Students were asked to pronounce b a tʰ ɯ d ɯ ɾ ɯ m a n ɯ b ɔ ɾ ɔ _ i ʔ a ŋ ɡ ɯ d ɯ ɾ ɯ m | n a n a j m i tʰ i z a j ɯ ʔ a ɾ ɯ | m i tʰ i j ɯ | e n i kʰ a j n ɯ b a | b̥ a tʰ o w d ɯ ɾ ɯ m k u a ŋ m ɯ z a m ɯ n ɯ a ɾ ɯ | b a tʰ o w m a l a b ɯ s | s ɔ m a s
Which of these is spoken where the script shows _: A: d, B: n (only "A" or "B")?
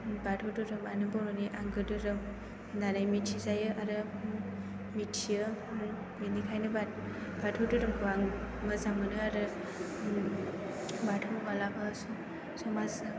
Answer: B